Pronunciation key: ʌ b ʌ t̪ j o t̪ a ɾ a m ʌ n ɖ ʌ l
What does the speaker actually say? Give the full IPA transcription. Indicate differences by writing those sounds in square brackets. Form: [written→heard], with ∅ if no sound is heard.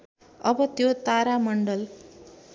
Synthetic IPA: ʌ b ʌ t̪ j o t̪ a ɾ a m ʌ [n→ɳ] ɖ ʌ l